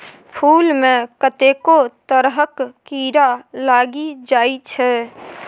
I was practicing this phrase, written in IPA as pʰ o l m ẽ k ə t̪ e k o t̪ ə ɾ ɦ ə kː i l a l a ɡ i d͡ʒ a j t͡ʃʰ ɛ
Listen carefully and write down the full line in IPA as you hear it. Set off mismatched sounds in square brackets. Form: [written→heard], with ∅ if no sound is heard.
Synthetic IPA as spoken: pʰ [o→u] l m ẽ k ə t̪ e k o t̪ ə ɾ ɦ ə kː i [l→ɾ] a l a ɡ i d͡ʒ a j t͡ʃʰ ɛ